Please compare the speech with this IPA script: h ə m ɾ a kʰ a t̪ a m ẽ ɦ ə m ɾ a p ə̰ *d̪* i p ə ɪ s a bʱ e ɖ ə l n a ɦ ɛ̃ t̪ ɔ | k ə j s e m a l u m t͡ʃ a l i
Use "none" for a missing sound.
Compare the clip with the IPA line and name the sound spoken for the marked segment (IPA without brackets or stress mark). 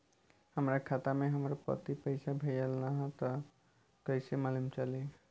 t̪